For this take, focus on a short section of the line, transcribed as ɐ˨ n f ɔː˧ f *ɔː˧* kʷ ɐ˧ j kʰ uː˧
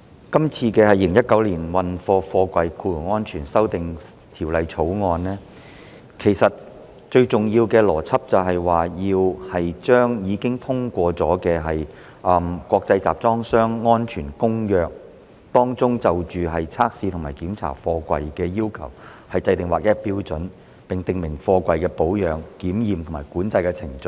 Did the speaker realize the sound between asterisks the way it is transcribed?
yes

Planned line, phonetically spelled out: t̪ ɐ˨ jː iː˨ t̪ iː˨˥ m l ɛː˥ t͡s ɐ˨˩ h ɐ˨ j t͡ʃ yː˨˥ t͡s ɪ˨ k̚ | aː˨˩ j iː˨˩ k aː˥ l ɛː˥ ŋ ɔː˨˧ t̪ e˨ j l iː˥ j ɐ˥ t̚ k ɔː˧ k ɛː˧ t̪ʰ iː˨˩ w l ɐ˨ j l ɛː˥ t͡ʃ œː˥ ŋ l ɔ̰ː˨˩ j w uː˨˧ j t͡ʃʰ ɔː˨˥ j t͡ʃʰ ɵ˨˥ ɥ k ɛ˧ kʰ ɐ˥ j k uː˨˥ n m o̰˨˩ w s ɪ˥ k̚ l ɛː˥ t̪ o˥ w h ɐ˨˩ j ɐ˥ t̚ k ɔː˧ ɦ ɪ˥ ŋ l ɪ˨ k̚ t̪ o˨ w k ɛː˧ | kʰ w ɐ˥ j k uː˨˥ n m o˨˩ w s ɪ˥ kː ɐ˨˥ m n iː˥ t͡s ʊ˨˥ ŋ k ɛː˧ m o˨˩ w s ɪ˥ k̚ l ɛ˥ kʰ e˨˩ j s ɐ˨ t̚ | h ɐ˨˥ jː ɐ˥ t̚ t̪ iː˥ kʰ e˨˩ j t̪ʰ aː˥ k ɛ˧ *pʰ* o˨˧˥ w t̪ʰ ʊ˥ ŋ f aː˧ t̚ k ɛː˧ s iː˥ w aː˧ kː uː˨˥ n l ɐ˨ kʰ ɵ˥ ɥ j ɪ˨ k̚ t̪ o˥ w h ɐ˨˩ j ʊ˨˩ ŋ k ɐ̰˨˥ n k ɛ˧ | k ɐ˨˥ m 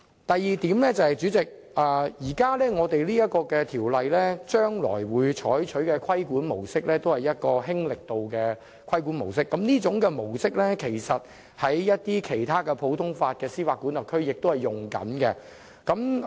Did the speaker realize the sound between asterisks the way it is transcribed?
yes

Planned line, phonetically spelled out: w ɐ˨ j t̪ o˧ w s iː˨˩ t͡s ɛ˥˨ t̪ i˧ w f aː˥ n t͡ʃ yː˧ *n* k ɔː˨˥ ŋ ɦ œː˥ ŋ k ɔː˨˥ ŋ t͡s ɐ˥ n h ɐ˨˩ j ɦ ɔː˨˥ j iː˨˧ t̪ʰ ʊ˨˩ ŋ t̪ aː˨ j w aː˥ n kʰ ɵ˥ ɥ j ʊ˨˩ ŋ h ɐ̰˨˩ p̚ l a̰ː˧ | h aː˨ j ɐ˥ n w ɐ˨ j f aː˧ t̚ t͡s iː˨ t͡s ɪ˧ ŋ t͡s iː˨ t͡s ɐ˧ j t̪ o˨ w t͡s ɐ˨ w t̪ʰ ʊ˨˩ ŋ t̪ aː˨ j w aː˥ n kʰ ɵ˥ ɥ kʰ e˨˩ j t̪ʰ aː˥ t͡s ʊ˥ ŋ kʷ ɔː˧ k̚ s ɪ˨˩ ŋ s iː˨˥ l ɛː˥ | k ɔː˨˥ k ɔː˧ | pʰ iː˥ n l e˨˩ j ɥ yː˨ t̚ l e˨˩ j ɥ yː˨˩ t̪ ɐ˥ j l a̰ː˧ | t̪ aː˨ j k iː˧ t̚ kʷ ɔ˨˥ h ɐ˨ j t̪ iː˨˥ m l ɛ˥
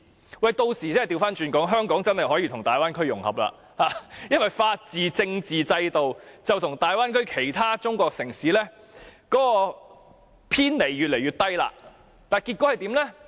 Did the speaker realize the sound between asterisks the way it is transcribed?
yes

